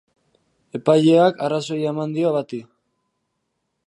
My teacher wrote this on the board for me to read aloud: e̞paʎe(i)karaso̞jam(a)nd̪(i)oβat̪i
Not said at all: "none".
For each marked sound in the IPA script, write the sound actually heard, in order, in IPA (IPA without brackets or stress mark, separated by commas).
a, a, i